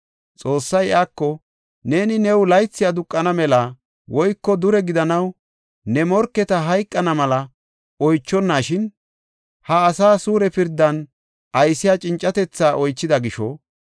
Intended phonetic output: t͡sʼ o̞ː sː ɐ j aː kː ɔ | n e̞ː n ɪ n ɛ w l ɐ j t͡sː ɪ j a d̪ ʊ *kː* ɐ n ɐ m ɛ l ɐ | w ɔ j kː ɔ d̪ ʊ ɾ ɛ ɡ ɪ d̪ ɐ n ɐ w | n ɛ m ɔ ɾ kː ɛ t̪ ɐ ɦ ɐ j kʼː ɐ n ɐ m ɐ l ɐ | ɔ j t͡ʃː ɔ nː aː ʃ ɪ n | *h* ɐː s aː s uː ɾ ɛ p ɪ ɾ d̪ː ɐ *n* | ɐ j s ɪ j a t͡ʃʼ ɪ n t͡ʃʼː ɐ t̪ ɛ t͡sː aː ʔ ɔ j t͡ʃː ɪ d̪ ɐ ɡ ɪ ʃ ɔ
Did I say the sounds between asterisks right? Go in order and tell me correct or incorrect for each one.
incorrect, correct, correct

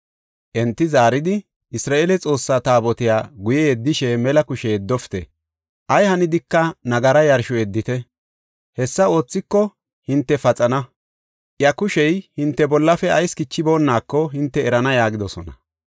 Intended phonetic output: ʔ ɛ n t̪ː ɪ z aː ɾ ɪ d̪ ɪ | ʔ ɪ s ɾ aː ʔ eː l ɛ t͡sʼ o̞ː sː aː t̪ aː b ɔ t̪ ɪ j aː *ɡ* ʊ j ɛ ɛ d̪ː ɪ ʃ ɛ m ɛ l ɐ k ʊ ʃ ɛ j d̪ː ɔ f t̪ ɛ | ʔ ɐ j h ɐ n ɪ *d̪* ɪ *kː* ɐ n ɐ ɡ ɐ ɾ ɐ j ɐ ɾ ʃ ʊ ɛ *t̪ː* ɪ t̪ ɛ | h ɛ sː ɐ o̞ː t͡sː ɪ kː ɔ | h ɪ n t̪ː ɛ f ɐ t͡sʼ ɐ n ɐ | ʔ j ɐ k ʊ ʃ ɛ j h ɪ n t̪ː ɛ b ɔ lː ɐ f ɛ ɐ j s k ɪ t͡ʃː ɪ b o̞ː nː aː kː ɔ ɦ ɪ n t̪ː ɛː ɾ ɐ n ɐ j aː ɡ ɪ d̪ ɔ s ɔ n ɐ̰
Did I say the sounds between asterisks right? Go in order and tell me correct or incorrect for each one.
correct, correct, correct, incorrect

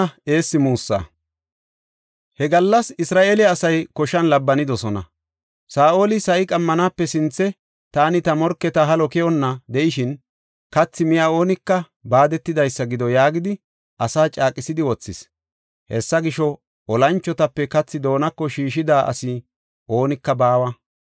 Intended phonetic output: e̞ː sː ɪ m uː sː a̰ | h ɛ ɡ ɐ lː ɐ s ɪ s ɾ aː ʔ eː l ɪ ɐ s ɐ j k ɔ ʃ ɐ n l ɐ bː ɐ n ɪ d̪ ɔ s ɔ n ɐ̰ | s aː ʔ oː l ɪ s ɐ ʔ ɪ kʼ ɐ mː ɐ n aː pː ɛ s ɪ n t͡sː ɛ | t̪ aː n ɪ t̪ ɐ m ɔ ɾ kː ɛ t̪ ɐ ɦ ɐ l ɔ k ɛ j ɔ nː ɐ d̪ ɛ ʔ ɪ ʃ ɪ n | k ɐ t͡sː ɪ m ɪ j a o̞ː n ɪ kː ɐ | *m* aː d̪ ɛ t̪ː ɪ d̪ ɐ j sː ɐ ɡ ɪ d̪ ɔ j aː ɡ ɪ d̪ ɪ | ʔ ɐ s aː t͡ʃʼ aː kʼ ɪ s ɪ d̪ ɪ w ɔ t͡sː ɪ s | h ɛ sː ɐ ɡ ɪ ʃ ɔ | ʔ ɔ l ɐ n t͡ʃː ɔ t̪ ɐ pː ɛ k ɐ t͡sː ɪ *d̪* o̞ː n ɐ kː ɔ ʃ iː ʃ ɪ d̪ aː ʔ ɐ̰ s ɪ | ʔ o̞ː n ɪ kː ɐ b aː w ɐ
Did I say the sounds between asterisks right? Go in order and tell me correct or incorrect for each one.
incorrect, correct

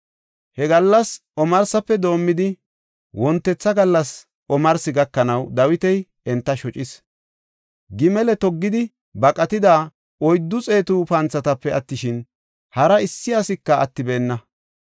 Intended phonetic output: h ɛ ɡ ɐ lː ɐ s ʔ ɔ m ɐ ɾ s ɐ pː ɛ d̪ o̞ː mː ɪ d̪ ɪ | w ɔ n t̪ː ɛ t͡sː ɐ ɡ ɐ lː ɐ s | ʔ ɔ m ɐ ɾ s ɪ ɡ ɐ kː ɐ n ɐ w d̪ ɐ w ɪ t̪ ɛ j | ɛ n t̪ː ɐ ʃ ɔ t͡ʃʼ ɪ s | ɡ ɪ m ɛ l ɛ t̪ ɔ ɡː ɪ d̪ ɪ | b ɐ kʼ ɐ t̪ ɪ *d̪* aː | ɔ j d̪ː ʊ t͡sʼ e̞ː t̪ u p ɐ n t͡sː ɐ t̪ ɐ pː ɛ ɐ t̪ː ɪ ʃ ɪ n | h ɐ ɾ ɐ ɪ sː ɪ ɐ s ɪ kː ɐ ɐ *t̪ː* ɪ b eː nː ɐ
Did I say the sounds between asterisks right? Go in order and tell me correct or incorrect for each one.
correct, correct

